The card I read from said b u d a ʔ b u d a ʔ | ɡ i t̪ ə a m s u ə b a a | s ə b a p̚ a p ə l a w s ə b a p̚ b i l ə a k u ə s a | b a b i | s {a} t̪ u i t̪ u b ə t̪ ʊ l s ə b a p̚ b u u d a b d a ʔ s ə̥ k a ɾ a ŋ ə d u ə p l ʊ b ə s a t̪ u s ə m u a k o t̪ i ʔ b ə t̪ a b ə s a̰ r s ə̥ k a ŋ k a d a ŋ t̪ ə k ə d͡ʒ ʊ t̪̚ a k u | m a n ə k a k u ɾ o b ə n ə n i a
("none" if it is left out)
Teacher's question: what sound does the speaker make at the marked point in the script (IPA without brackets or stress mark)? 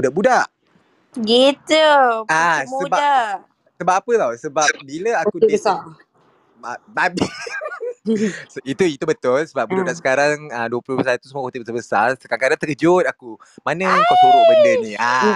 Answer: i